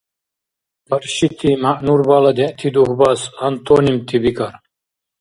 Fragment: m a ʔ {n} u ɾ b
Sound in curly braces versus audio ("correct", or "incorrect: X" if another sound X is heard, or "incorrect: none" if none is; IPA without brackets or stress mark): correct